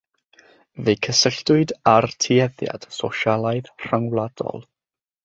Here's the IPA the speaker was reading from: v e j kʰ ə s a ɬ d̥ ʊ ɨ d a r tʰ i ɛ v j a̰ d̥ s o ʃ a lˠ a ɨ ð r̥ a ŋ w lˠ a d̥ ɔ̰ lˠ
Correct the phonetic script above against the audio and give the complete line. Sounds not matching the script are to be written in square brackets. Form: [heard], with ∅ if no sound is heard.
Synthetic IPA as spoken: v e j kʰ ə s [ə] ɬ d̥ ʊ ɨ d a r tʰ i ɛ [ð] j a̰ d̥ s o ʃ a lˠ a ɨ ð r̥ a ŋ w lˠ a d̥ ɔ̰ lˠ